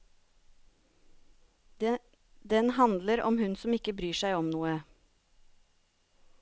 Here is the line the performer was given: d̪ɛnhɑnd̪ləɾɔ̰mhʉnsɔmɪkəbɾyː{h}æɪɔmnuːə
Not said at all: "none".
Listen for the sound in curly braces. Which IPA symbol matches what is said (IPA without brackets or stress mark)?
ʃ